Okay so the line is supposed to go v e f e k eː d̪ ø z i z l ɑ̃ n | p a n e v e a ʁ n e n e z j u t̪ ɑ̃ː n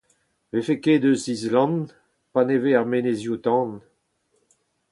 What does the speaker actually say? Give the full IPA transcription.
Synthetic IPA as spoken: v e f e k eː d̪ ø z i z l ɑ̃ n | p a n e v e a ʁ m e n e z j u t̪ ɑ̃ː n